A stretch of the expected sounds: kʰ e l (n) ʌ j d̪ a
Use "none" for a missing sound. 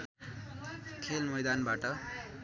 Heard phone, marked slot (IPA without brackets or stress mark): m